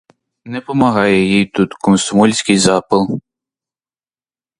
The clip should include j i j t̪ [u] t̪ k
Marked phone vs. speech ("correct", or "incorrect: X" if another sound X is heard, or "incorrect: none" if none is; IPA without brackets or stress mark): correct